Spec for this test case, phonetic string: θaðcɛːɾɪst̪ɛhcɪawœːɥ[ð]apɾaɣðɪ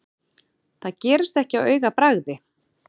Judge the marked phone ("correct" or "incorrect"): incorrect